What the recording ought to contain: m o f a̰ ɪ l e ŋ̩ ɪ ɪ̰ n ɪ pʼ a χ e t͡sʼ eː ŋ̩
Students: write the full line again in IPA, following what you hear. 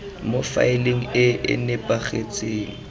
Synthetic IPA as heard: m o f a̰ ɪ l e ŋ̩ ɪ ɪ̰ n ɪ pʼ a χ e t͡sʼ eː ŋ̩

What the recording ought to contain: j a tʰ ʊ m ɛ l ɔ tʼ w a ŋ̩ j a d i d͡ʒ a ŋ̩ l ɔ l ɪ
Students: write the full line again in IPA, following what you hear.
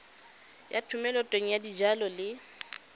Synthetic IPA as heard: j a tʰ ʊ m ɛ l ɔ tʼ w e ŋ̩ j a d i d͡ʒ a l ɔ l ɪ

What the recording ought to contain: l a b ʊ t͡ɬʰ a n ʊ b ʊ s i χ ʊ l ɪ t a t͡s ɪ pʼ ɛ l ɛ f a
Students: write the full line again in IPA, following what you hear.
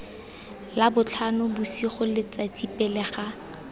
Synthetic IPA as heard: l a b ʊ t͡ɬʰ a n ʊ b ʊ s i χ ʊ l ɪ t͡s a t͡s i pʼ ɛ l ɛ χ a

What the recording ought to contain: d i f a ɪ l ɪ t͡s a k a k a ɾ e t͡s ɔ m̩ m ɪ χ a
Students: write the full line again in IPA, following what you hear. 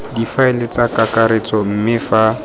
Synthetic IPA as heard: d i f a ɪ l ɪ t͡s a k a k a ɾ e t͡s ɔ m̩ m ɪ f a

